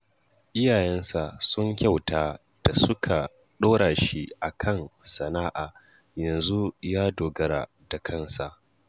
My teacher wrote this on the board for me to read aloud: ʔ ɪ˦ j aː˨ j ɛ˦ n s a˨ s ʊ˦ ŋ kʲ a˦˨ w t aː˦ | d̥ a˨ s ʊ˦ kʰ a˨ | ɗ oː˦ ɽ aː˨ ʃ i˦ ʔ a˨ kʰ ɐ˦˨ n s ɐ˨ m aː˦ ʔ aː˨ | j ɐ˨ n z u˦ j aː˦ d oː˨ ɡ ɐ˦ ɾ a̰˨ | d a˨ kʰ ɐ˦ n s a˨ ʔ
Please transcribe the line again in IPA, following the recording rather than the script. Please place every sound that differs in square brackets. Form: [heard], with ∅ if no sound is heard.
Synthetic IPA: ʔ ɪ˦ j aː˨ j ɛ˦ n s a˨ s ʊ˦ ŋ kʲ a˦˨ w t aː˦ | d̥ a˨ s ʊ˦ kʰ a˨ | ɗ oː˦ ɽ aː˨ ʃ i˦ ʔ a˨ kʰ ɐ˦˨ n s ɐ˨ [n] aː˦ ʔ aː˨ | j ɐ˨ n z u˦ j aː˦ d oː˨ ɡ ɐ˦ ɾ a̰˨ | d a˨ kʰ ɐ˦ n s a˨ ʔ